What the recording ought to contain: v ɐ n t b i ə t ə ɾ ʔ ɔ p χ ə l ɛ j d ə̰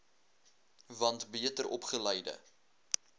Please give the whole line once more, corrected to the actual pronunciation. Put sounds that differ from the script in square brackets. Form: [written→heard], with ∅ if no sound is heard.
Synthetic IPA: v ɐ n t b i ə t ə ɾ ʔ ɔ p χ ə l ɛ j d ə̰

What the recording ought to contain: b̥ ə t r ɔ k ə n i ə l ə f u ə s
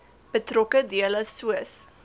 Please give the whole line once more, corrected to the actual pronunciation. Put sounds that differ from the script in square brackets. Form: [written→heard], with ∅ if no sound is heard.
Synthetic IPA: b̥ ə t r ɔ k ə [n→d] i ə l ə [f→s] u ə s

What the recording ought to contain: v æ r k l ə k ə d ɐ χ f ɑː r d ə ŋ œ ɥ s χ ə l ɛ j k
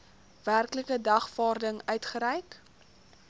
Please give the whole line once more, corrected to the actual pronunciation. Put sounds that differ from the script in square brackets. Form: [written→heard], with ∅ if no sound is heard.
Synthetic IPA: v æ r k l ə k ə d ɐ χ f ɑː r d ə ŋ œ ɥ [s→t] χ ə [l→ɾ] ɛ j k

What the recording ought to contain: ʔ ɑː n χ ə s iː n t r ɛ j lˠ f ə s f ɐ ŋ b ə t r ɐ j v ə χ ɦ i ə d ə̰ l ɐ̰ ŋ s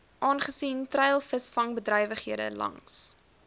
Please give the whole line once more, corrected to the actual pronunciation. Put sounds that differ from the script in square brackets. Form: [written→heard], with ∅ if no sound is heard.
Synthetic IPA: ʔ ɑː n χ ə s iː n t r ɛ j lˠ f ə s f ɐ ŋ b ə [t→d] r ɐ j v ə χ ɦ i ə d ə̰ l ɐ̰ ŋ s

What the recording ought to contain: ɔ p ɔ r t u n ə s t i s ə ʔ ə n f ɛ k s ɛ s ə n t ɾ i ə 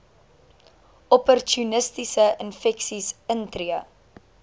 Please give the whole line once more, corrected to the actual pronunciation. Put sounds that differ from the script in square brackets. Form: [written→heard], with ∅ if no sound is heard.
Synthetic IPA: ɔ p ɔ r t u n ə s t i s ə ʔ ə n f ɛ k s [ɛ→i] s ə n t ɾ i ə

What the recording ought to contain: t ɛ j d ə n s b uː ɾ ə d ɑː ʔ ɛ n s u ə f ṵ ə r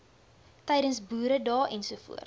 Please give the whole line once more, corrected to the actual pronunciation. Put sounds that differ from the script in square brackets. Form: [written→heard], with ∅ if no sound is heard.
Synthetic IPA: t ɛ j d ə n s b uː ɾ ə d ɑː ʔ ɛ n s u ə f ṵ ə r

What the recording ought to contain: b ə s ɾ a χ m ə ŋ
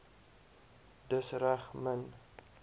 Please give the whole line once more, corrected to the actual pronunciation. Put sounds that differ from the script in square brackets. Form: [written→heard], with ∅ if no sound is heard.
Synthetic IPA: [b→d] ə s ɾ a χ m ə [ŋ→n]

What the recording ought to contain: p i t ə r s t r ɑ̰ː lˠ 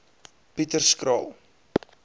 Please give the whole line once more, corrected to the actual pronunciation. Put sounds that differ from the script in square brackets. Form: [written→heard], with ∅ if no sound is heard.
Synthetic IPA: p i t ə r s [t→k] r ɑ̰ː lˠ

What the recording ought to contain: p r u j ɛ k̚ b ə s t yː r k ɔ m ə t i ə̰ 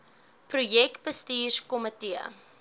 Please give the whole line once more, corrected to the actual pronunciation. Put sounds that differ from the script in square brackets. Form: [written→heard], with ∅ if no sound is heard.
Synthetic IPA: p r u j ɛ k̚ b ə s t [yː→iː] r k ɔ m ə t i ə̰

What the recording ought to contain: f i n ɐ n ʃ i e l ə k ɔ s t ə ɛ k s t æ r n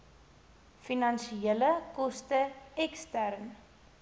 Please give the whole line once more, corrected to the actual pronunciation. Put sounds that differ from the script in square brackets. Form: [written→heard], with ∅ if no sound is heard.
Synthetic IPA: f i n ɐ n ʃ i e l ə k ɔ s t ə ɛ k s t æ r n

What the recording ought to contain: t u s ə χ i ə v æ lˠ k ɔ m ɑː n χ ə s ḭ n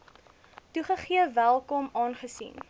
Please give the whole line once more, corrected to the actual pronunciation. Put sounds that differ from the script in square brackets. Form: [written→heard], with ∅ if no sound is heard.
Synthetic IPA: t u [s→χ] ə χ i ə v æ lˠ k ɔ m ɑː n χ ə s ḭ n

